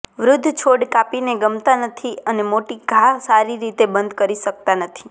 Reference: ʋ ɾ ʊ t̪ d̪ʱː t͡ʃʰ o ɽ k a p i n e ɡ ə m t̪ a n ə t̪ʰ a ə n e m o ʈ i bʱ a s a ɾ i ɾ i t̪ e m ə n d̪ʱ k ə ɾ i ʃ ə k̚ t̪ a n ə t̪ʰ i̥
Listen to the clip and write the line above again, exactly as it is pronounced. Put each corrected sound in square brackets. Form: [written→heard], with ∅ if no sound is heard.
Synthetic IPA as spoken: ʋ ɾ ʊ [t̪→∅] d̪ʱː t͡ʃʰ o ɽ k a p i n e ɡ ə m t̪ a n ə t̪ʰ [a→i] ə n e m o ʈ i [bʱ→ɡʱ] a s a ɾ i ɾ i t̪ e [m→b] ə n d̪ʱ k ə ɾ i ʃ ə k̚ t̪ a n ə t̪ʰ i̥

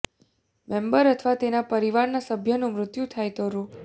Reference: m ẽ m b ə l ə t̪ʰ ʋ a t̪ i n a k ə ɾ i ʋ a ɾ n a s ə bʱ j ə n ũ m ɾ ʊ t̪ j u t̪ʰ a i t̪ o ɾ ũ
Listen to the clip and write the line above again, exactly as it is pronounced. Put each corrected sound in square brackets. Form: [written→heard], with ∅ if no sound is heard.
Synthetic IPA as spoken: m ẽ m b ə [l→ɾ] ə t̪ʰ ʋ a t̪ [i→e] n a [k→p] ə ɾ i ʋ a ɾ n a s ə bʱ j ə n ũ m ɾ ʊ t̪ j u t̪ʰ a [i→j] t̪ o ɾ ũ

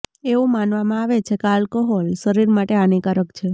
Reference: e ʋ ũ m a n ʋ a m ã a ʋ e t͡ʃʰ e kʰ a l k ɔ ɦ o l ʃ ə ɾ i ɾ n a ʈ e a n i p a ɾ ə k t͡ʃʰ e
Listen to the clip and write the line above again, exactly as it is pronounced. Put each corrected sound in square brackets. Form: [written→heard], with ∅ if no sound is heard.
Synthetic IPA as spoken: e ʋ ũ m a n ʋ a m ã a ʋ e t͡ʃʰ e [kʰ→k] a l k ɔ ɦ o l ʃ ə ɾ i ɾ [n→m] a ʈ e a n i [p→k] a ɾ ə k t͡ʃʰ e

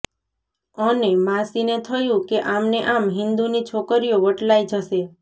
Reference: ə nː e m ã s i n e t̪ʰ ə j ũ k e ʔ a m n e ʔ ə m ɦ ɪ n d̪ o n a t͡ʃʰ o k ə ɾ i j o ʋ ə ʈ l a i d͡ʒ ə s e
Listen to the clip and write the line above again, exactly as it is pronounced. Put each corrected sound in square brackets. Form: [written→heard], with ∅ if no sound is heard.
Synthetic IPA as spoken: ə [nː→n] e m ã s i n e t̪ʰ ə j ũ k e ʔ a m n e ʔ [ə→a] m ɦ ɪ n d̪ [o→u] n [a→i] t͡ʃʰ o k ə ɾ i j o ʋ ə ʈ l a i d͡ʒ ə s e

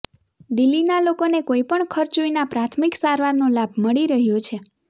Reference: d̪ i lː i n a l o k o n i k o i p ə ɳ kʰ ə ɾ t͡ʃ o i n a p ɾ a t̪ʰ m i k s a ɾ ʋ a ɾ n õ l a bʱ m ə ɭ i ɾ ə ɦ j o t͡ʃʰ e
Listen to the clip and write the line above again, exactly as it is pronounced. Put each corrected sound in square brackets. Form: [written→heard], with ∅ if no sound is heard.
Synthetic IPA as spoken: d̪ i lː i n a l o k o n [i→e] k o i p ə ɳ kʰ ə ɾ t͡ʃ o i n a p ɾ a t̪ʰ m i k s a ɾ ʋ a ɾ n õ l a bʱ m ə ɭ i ɾ ə ɦ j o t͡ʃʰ e

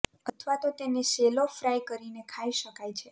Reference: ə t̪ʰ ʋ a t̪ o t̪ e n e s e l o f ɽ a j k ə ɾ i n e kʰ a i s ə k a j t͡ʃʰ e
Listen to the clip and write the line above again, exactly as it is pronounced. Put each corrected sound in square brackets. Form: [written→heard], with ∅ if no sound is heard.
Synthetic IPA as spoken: ə t̪ʰ ʋ a t̪ o t̪ e n e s e l o f [ɽ→ɾ] a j k ə ɾ i n e kʰ a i [s→ʃ] ə k a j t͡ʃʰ e

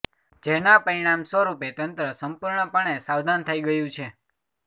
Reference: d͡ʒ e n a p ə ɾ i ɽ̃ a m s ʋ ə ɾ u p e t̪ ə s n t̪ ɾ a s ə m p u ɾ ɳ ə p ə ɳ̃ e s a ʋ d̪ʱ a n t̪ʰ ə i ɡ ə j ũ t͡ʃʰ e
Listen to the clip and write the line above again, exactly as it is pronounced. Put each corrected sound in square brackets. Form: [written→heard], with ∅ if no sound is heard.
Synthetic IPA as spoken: d͡ʒ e n a p ə ɾ i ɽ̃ a m s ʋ ə ɾ u p e t̪ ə [s→∅] n t̪ ɾ [a→ə] s ə m p u ɾ ɳ ə p ə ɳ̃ e s a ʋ d̪ʱ a n t̪ʰ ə i ɡ ə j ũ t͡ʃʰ e

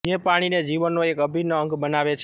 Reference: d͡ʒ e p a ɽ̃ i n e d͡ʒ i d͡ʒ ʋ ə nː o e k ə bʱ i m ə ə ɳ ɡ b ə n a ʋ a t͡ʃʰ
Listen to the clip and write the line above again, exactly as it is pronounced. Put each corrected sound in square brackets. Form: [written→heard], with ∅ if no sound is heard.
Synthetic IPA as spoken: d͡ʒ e p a ɽ̃ i n e d͡ʒ i [d͡ʒ→∅] ʋ ə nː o e k ə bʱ i [m→n] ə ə [ɳ→ŋ] ɡ b ə n a ʋ [a→e] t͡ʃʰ

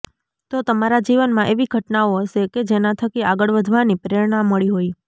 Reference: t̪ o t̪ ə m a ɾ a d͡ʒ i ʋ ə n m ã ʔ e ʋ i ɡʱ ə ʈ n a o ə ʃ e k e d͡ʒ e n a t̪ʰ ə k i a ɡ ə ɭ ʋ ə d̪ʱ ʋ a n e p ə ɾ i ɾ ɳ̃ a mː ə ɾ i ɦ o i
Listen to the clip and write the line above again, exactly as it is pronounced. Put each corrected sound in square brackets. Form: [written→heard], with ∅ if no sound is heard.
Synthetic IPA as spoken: t̪ o t̪ ə m a ɾ a d͡ʒ i ʋ ə n m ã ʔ e ʋ i ɡʱ ə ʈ n a o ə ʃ e k e d͡ʒ e n a t̪ʰ ə k i a ɡ ə ɭ ʋ ə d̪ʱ ʋ a n [e→i] p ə ɾ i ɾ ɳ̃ a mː ə [ɾ→ɭ] i ɦ o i

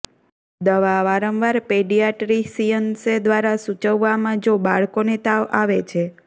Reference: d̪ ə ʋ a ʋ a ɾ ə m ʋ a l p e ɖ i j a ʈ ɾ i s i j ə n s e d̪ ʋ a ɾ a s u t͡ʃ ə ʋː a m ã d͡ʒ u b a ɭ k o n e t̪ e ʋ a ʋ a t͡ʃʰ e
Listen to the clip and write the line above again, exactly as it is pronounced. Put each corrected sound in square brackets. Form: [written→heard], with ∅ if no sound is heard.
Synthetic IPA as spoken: d̪ ə ʋ a ʋ a ɾ ə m ʋ a [l→ɾ] p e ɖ i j a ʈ ɾ i s i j ə n s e d̪ ʋ a ɾ a s u t͡ʃ ə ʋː a m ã d͡ʒ [u→o] b a ɭ k o n e t̪ [e→a] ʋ a ʋ [a→e] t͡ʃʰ e

